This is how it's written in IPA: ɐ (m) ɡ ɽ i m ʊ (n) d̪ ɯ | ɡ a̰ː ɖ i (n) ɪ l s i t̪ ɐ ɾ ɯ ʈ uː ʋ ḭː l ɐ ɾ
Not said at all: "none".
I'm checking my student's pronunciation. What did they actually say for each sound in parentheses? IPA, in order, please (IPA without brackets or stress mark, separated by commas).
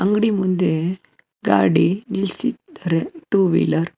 ŋ, n, n